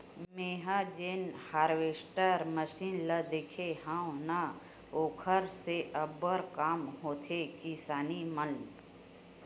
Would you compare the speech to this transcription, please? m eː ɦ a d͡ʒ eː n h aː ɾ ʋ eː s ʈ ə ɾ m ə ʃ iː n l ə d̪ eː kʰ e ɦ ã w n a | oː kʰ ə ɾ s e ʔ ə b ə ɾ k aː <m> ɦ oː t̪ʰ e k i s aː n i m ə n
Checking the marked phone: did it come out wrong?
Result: no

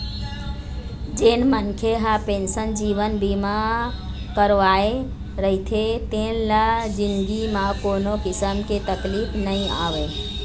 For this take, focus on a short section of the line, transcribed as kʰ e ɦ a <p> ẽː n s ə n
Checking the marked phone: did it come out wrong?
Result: no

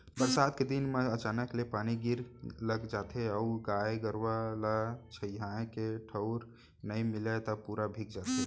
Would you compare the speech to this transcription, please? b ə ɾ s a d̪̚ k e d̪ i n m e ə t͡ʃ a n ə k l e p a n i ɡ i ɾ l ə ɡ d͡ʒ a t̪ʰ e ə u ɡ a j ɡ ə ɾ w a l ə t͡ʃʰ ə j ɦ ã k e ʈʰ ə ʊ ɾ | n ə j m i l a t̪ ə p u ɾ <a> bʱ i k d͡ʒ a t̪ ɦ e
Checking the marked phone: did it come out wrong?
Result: no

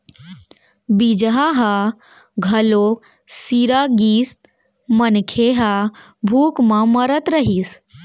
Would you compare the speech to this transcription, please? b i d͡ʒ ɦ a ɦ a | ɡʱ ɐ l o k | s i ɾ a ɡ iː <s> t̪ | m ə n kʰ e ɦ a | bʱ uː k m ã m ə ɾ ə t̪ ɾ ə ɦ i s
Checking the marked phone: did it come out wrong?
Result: no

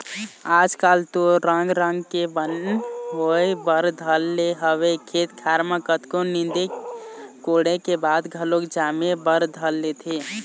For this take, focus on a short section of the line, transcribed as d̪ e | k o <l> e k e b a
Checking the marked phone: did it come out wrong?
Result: yes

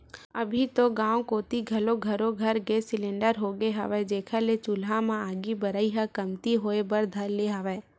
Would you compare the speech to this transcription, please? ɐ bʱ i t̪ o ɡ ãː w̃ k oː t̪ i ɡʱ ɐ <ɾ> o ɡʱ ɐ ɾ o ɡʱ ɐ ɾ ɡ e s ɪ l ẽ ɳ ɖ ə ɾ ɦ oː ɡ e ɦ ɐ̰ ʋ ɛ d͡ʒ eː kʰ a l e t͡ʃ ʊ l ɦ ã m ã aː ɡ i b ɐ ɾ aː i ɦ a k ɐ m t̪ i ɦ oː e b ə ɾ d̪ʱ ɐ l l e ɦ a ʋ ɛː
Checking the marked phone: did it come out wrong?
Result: yes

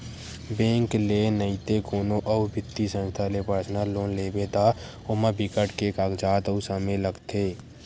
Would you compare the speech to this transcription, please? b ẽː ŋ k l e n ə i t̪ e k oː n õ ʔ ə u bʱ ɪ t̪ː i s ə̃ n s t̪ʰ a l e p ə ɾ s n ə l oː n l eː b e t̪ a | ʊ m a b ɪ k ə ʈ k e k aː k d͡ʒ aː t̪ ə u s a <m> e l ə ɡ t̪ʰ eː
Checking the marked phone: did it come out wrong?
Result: no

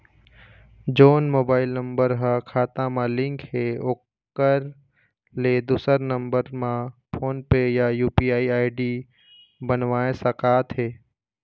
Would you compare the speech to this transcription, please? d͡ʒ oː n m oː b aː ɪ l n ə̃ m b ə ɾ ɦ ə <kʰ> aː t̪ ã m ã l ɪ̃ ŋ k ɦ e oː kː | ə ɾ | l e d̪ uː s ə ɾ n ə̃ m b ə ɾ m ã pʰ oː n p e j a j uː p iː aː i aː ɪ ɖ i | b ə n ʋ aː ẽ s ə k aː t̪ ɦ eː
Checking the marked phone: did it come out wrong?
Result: no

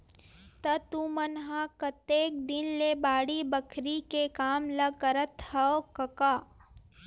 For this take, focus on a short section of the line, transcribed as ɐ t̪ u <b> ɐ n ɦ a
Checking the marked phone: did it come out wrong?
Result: yes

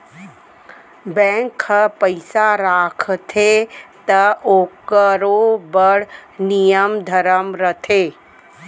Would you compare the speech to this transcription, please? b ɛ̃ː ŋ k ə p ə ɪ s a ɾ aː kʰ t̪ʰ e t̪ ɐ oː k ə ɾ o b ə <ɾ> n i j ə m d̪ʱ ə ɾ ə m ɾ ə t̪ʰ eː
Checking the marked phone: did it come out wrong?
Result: yes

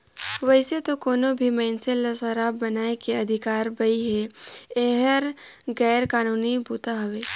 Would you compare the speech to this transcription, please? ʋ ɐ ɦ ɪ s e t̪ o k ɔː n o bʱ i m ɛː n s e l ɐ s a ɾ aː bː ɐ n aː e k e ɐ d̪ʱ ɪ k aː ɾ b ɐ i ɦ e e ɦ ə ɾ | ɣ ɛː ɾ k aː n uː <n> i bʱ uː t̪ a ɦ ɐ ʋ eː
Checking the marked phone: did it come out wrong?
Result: no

